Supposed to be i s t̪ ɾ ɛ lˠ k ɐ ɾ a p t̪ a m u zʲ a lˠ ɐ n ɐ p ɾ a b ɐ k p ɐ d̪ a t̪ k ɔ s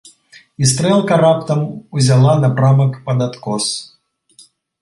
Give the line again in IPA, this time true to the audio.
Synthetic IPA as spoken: i s t̪ ɾ ɛ lˠ k ɐ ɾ a p t̪ ɐ m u zʲ a lˠ a n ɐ p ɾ a m ɐ k p ɐ d̪ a t̪ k ɔ s